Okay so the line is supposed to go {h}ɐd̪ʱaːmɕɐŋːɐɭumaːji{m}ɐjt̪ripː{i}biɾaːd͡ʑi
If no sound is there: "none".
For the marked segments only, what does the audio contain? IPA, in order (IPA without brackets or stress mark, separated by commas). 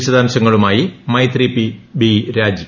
ɕ, m, i